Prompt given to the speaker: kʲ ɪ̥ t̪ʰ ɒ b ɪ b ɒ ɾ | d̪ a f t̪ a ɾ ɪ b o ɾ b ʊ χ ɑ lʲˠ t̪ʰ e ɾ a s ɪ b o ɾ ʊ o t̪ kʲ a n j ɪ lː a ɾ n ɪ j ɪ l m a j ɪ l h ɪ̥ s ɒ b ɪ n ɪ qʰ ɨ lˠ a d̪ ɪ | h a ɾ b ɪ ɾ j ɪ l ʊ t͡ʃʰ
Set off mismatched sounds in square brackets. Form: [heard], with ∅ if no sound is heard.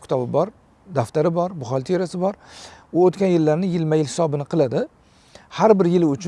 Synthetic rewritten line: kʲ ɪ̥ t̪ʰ ɒ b ɪ b ɒ ɾ | d̪ a f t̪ a ɾ ɪ b [ɒ] ɾ b ʊ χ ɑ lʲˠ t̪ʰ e ɾ a s ɪ b [ɒ] ɾ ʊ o t̪ kʲ a n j ɪ lː a ɾ n ɪ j ɪ l m a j ɪ l h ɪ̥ s ɒ b ɪ n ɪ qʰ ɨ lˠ a d̪ ɪ | h a ɾ b ɪ ɾ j ɪ l ʊ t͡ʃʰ

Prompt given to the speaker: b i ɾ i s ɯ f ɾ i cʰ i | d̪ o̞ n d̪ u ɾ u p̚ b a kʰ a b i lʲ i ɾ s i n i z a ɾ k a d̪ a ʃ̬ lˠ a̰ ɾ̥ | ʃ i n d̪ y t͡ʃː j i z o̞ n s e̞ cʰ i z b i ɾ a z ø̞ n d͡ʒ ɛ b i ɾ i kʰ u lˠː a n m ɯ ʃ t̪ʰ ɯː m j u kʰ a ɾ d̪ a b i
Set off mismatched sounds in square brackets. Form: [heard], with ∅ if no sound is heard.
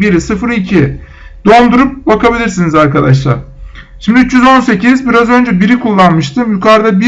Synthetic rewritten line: b i ɾ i s ɯ f ɾ i cʰ i | d̪ o̞ n d̪ u ɾ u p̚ b a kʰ a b i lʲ i ɾ s i n i z a ɾ k a d̪ a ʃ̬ lˠ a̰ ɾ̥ | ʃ i [m] d̪ y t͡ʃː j [y] z o̞ n s e̞ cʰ i z b i ɾ a z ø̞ n d͡ʒ ɛ b i ɾ i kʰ u lˠː a n m ɯ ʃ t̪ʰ [ɯ] m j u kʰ a ɾ d̪ a b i

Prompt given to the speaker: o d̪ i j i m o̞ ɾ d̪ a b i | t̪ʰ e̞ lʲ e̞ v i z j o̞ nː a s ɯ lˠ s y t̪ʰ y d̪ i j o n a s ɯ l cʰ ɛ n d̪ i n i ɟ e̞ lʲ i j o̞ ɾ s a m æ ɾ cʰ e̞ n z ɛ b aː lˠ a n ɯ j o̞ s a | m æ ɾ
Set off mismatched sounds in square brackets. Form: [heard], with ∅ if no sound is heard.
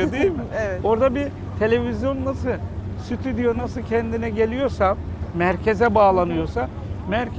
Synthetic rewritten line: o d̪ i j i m o̞ ɾ d̪ a b i | t̪ʰ e̞ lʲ e̞ v i z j o̞ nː a s ɯ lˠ s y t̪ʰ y d̪ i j o n a s ɯ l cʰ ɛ n d̪ i n [ɛ] ɟ e̞ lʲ i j o̞ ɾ s a m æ ɾ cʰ e̞ [∅] z ɛ b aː lˠ a n ɯ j o̞ s a | m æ ɾ

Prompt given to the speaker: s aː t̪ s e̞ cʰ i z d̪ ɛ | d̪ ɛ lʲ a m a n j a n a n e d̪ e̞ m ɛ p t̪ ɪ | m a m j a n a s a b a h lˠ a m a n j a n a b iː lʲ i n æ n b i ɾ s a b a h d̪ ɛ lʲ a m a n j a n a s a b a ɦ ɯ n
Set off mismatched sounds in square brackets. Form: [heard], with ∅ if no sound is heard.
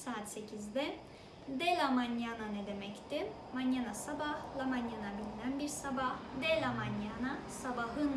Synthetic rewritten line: s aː t̪ s e̞ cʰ i z d̪ ɛ | d̪ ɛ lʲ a m a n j a n a n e d̪ e̞ m ɛ [c] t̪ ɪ | m a [n] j a n a s a b a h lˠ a m a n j a n a b [i] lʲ i n æ n b i ɾ s a b a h d̪ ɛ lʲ a m a n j a n a s a b a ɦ ɯ n

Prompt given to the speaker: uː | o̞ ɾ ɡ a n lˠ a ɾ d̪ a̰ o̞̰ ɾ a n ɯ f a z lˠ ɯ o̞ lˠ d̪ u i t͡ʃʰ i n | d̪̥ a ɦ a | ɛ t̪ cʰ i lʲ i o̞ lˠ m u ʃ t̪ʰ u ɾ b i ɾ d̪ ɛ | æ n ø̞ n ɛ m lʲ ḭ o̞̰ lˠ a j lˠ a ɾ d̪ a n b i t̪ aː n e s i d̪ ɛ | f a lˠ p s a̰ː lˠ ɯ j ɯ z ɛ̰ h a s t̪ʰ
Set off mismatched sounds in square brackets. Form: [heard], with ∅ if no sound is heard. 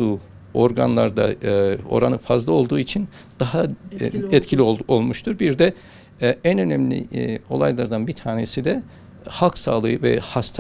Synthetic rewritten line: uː | o̞ ɾ ɡ a n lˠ a ɾ d̪ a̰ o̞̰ ɾ a n ɯ f a z lˠ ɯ o̞ lˠ d̪ [uː] i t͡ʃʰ i n | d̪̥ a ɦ a | ɛ t̪ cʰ i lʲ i o̞ lˠ m u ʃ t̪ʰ u ɾ b i ɾ d̪ ɛ | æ n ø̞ n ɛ m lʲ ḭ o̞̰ lˠ a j lˠ a ɾ d̪ a n b i [t̪ʰ] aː n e s i d̪ ɛ | [h] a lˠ [k] s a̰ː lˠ ɯ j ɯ [v] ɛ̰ h a s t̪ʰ

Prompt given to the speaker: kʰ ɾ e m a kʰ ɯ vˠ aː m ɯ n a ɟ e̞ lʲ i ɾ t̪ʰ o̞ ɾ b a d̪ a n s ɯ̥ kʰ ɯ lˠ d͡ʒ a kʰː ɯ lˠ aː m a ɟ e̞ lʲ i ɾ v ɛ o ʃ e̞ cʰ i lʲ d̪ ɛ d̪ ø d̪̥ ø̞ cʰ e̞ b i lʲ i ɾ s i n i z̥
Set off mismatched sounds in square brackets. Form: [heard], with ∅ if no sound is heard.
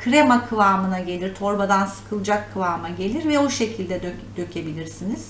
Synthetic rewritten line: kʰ ɾ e m a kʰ ɯ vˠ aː m ɯ n a ɟ e̞ lʲ i ɾ t̪ʰ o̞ ɾ b a d̪ a n s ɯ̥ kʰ ɯ lˠ d͡ʒ a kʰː ɯ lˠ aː m a ɟ e̞ lʲ i ɾ v ɛ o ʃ e̞ cʰ i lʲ d̪ ɛ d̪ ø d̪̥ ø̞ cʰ e̞ b i lʲ i ɾ s i n i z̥

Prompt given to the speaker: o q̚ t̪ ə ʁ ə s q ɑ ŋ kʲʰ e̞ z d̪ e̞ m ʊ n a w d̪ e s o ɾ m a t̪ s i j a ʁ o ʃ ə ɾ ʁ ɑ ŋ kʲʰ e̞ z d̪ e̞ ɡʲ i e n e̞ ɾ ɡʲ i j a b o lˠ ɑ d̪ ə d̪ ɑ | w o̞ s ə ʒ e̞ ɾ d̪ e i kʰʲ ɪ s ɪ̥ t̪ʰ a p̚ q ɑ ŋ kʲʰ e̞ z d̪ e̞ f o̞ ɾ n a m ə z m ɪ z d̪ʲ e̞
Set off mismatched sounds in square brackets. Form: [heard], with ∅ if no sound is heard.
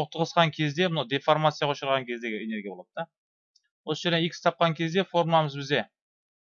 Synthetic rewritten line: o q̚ t̪ ə ʁ ə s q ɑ ŋ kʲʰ e̞ z d̪ e̞ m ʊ n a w d̪ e [f] o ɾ m a t̪ s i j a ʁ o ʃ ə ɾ ʁ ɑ ŋ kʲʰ e̞ z d̪ e̞ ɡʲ [ɪ] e n e̞ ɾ ɡʲ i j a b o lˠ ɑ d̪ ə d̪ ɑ | w o̞ s ə ʒ e̞ ɾ d̪ e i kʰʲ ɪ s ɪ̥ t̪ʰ [ɑ] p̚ q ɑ ŋ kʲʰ e̞ z d̪ e̞ f o̞ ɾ [m] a m ə z [b] ɪ z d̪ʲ e̞

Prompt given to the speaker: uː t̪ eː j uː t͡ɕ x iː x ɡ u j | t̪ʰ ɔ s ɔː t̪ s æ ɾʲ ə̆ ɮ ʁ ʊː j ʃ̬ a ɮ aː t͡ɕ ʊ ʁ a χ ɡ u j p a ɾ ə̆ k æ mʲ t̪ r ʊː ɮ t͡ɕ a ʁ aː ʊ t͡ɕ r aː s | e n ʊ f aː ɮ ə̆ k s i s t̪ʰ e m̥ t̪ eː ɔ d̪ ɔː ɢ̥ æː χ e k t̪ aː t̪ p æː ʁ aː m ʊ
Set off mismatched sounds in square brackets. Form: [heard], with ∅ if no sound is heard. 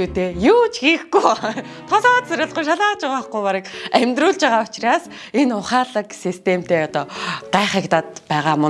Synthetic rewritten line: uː t̪ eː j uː t͡ɕ x iː x ɡ u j | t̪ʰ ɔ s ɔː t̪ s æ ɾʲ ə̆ ɮ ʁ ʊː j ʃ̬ a ɮ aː t͡ɕ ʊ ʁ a χ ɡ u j p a ɾ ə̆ k æ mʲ t̪ r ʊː ɮ t͡ɕ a ʁ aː ʊ t͡ɕ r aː s | e n ʊ [χ] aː ɮ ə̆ k s i s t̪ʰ e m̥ t̪ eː ɔ [t̪] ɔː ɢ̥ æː χ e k t̪ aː t̪ p æː ʁ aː m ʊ

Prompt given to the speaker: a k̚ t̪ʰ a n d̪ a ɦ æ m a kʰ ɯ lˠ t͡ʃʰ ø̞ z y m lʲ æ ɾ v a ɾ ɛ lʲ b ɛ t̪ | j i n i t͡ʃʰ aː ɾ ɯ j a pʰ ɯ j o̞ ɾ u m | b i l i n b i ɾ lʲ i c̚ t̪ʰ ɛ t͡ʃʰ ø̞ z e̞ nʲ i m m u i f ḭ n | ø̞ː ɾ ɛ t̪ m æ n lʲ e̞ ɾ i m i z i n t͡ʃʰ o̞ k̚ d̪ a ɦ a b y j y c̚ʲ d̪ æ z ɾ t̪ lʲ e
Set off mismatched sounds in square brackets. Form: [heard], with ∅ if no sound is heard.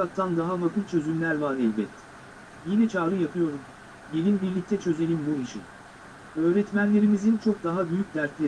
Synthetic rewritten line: a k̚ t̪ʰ a n d̪ a ɦ [a] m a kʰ ɯ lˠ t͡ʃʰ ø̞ z y m lʲ æ ɾ v a ɾ ɛ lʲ b ɛ t̪ | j i n [ɛ] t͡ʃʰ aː ɾ ɯ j a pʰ ɯ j o̞ ɾ u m | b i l i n b i ɾ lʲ i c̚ t̪ʰ ɛ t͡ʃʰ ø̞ z e̞ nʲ i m [b] u i [ʃ] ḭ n | ø̞ː ɾ ɛ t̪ m æ n lʲ e̞ ɾ i m i z i n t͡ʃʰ o̞ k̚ d̪ a ɦ a b y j y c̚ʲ d̪ æ [∅] ɾ t̪ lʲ e

